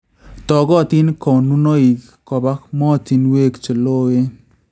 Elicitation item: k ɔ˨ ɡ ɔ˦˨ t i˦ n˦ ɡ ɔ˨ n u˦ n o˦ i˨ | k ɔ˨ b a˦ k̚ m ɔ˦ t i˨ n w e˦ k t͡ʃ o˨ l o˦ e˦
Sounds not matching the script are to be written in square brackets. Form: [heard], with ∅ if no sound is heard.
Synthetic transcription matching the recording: [t] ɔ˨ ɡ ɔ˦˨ t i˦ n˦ [k] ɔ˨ n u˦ n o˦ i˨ | k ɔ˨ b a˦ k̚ m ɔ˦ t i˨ n w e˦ k t͡ʃ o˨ l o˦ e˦